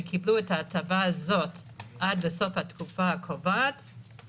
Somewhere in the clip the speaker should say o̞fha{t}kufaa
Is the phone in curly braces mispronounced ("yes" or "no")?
no